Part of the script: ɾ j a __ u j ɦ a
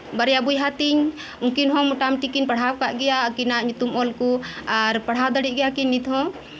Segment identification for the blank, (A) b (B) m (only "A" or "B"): A